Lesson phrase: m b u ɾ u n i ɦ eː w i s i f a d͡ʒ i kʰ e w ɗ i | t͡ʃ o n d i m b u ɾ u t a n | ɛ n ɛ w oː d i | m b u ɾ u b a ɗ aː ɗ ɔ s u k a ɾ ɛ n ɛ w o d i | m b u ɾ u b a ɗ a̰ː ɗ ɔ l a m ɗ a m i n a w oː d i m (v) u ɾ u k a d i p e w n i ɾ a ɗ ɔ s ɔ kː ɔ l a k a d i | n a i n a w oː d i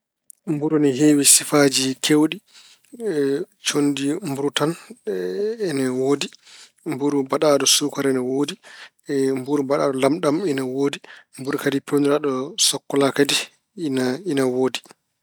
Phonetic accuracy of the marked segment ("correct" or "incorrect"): incorrect